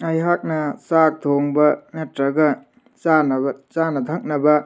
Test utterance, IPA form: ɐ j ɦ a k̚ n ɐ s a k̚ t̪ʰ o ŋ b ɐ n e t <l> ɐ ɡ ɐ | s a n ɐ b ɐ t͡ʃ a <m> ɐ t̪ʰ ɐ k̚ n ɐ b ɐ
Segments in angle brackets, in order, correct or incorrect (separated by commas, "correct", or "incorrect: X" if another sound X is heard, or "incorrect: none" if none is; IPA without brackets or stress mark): incorrect: ɾ, incorrect: n